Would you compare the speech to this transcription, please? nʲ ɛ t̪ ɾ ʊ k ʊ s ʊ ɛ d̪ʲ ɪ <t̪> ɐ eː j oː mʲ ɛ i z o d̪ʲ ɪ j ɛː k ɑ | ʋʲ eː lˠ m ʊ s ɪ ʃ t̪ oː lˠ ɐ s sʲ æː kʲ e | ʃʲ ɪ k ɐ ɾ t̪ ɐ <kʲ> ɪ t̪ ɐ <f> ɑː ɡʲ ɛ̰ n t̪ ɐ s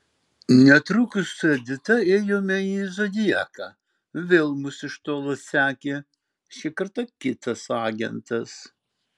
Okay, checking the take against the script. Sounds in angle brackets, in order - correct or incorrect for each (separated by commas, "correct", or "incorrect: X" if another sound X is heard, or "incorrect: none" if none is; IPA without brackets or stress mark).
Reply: correct, correct, incorrect: s